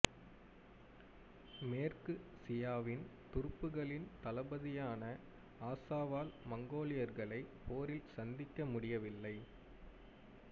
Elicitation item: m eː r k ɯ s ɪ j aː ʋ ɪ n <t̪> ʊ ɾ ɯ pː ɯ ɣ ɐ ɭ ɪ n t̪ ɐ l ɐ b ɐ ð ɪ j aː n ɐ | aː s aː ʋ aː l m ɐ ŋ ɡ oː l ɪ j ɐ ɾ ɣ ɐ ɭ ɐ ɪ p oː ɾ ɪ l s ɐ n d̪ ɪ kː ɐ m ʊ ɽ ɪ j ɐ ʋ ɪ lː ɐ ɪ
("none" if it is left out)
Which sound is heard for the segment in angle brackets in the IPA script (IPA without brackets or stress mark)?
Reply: t̪